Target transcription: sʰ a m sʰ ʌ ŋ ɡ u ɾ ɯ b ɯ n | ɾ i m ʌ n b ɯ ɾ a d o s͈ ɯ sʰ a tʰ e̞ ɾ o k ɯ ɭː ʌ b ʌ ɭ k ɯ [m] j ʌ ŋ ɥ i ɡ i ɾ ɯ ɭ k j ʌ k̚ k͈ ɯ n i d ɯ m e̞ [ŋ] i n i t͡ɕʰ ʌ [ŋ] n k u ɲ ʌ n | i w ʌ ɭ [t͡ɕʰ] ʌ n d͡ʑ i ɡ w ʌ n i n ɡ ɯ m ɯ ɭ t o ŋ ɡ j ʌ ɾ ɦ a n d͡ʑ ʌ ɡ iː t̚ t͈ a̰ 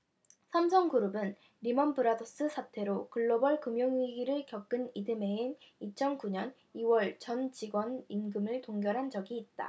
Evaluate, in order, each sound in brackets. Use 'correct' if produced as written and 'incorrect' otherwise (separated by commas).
correct, incorrect, incorrect, incorrect